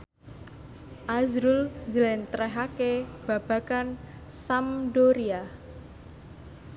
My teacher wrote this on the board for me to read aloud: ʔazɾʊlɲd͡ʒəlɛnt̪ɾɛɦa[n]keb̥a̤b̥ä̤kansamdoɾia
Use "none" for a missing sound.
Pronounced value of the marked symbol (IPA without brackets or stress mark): none